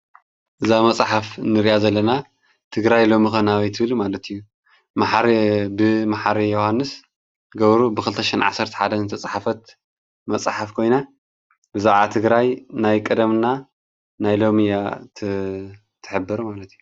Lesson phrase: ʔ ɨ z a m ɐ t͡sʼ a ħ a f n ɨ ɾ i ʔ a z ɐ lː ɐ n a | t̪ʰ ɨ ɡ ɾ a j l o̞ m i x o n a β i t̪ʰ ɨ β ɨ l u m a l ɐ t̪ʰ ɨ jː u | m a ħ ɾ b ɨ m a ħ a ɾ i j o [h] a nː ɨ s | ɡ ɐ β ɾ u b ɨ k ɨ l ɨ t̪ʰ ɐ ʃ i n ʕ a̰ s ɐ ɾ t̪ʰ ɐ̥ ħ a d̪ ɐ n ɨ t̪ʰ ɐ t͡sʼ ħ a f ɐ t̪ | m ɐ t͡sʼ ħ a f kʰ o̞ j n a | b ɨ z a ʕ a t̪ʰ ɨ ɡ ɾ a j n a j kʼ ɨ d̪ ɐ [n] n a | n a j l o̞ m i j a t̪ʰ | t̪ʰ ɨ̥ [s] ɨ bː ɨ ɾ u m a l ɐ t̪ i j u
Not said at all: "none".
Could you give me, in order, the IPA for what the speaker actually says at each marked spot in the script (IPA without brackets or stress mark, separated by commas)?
h, m, ħ